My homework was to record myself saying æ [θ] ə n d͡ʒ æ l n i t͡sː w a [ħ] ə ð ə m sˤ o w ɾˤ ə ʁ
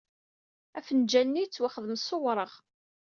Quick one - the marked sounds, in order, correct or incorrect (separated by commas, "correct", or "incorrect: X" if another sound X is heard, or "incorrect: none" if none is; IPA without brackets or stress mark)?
incorrect: f, incorrect: χ